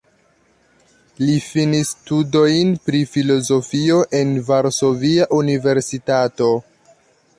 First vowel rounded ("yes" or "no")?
no